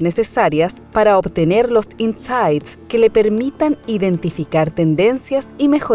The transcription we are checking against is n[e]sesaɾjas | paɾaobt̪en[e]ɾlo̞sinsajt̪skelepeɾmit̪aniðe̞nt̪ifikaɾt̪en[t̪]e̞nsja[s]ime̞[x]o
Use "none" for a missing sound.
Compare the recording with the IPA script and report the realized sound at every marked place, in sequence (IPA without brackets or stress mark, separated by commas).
e, e, d̪, s, x